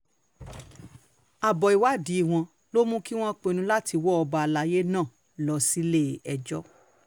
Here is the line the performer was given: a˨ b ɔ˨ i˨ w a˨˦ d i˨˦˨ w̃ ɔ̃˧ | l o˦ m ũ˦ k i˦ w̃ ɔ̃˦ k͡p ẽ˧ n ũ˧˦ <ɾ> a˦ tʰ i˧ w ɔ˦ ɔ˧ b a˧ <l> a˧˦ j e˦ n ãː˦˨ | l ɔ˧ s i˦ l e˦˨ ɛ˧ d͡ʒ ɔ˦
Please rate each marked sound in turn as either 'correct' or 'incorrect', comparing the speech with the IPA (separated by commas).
incorrect, correct